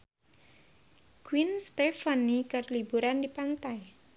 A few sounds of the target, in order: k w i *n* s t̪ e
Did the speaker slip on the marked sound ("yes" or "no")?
no